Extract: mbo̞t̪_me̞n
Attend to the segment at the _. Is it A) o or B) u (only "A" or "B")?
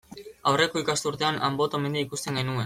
A